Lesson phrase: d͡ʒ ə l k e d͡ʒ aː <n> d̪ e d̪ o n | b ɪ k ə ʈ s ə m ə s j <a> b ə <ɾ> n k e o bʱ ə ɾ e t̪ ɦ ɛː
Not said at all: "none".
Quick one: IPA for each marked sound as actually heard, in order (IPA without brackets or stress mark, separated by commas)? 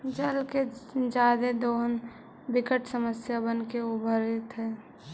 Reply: none, a, none